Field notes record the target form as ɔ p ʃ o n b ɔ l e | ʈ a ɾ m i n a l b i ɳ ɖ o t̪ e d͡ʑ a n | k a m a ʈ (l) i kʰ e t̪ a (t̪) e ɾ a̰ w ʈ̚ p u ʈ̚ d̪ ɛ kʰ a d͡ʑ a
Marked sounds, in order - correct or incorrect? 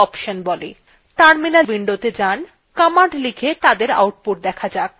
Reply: correct, incorrect

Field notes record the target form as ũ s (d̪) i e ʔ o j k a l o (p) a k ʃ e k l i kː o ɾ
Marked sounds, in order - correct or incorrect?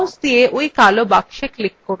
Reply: correct, incorrect

